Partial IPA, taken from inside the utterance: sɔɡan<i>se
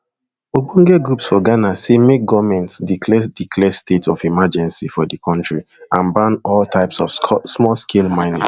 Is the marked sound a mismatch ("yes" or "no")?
yes